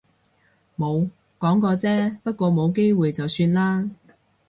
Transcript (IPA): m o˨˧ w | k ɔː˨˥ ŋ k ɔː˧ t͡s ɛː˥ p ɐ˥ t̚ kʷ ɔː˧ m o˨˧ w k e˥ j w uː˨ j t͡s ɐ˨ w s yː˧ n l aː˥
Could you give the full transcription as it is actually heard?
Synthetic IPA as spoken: m o˨˧ w | k ɔː˨˥ ŋ k ɔː˧ t͡s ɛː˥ p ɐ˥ t̚ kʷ ɔː˧ m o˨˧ w k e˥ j w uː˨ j t͡s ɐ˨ w s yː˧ n l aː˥